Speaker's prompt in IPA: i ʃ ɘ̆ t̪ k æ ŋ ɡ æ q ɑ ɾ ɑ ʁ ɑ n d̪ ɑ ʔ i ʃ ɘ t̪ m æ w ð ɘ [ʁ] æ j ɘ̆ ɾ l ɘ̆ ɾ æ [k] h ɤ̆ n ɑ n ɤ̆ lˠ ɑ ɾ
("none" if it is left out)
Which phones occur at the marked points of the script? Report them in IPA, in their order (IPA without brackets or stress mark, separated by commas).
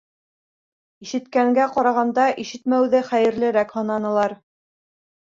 χ, k